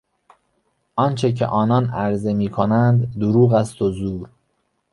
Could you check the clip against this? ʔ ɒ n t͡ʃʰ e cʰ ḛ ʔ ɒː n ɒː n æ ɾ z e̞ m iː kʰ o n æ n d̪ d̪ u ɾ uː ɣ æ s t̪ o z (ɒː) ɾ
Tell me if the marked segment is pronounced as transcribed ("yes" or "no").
no